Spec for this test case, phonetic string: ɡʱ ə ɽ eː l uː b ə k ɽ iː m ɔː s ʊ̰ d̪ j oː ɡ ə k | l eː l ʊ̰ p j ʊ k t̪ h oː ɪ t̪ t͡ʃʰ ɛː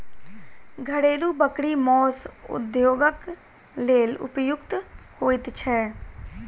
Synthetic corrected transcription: ɡʱ ə ɽ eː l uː b ə k ɽ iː m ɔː s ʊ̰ d̪ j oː ɡ ə k | l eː l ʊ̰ p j ʊ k t̪ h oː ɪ t̪ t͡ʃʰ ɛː